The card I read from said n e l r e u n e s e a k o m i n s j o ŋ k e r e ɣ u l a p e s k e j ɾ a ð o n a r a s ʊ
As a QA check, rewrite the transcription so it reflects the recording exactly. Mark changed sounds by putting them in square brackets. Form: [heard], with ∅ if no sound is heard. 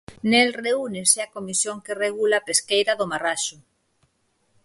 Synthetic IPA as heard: n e l r e u n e s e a k o m i [∅] s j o ŋ k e r e ɣ u l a p e s k e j ɾ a ð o [m] a r a [ʃ] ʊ